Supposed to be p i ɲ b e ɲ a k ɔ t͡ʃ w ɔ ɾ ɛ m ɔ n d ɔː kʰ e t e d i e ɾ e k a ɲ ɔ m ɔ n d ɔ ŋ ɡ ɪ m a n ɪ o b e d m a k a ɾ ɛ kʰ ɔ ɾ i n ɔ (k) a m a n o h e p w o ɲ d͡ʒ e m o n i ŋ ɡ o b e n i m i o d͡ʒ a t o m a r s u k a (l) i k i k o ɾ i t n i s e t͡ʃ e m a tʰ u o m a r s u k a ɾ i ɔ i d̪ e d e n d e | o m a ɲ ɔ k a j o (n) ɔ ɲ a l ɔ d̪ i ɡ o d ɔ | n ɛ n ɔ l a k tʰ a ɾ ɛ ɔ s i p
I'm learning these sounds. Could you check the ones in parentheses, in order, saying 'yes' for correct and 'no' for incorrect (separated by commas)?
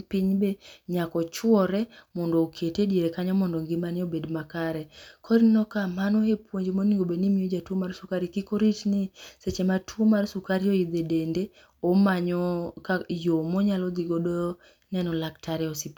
yes, no, no